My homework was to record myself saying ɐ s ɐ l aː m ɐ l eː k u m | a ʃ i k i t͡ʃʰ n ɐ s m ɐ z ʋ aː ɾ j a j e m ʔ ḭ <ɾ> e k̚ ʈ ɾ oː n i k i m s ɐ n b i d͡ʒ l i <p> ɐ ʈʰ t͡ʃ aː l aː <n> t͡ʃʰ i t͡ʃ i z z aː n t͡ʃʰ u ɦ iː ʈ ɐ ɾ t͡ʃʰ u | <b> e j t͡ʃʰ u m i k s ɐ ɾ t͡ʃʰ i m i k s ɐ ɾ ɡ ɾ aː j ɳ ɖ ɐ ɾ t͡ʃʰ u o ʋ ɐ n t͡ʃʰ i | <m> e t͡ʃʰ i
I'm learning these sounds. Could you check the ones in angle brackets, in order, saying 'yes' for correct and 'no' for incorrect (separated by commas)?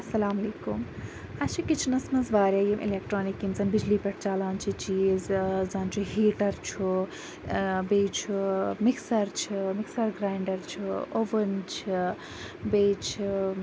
no, yes, yes, yes, no